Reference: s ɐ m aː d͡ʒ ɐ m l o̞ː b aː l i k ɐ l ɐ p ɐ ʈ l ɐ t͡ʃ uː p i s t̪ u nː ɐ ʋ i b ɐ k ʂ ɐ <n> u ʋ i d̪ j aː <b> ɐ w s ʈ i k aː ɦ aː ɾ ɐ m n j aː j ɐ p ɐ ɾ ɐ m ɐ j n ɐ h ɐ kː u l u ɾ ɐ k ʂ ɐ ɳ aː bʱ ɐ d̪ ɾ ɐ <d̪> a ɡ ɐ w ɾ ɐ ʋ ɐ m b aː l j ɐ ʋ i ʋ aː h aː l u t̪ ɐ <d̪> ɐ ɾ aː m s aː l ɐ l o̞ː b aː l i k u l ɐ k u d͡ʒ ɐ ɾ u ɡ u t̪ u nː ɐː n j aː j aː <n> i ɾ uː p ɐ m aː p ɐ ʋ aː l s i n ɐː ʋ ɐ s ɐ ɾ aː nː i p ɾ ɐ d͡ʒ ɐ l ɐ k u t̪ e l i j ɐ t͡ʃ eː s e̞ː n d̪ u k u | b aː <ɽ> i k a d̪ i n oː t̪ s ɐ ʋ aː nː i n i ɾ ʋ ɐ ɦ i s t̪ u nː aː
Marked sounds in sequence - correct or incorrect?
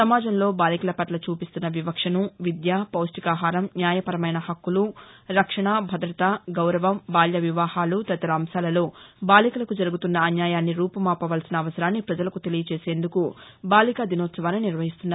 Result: correct, incorrect: p, incorrect: t̪, incorrect: t̪, incorrect: nː, incorrect: l

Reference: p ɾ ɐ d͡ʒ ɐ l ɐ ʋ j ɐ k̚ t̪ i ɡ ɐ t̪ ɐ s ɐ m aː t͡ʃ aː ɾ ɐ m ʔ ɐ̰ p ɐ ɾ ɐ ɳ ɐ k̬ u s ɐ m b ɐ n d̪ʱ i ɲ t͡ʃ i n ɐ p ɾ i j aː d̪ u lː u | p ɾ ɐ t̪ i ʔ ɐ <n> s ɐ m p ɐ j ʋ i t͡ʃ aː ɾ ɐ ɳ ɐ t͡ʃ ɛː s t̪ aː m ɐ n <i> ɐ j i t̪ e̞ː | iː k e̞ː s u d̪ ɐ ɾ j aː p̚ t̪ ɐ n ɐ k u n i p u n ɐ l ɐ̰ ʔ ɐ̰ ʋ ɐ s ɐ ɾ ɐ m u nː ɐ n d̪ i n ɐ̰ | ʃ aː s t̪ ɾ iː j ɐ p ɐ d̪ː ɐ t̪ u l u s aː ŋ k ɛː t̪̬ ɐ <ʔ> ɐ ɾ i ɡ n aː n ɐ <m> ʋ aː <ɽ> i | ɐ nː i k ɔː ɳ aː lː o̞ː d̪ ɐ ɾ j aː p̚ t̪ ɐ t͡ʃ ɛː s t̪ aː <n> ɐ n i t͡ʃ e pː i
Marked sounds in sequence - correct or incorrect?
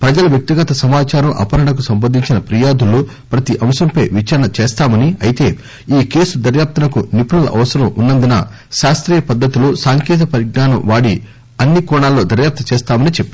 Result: incorrect: m, correct, incorrect: p, correct, correct, incorrect: m

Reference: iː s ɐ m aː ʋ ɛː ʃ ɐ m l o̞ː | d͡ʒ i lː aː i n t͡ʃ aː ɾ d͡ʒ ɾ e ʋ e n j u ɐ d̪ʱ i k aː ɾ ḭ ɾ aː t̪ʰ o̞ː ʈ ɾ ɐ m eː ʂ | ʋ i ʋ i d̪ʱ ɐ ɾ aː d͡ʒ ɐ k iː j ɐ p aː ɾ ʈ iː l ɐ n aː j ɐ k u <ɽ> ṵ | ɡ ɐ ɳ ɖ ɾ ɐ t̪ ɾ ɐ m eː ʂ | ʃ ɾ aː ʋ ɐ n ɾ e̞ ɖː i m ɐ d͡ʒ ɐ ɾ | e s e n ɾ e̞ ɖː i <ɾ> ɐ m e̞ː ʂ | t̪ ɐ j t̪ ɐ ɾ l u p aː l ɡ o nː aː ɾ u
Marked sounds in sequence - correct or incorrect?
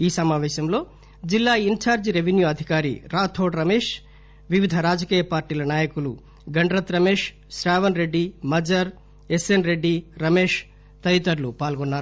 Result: incorrect: l, correct

